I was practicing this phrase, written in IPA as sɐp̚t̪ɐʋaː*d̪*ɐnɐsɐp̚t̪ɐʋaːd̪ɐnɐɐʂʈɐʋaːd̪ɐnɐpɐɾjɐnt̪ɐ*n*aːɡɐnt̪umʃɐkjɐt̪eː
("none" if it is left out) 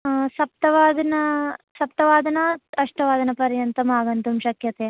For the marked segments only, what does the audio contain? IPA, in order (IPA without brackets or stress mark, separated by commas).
d̪, m